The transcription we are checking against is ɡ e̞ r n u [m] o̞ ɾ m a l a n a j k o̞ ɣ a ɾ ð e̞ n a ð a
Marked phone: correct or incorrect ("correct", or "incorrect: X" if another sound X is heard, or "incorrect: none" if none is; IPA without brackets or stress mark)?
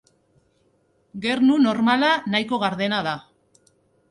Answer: incorrect: n